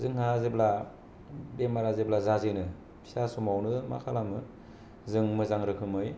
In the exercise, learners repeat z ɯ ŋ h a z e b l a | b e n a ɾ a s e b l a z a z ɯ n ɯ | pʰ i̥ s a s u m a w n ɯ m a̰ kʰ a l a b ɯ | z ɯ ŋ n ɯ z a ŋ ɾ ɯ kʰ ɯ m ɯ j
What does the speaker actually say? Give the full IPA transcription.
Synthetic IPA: z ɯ ŋ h a z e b l a | b e m a ɾ a z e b l a z a z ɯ n ɯ | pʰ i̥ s a s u m a w n ɯ m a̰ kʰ a l a m ɯ | z ɯ ŋ m ɯ z a ŋ ɾ ɯ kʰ ɯ m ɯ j